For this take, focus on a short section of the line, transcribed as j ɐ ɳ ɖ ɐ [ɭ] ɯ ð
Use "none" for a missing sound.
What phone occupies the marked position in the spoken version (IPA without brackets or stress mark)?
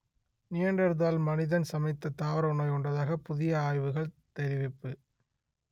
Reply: ɾ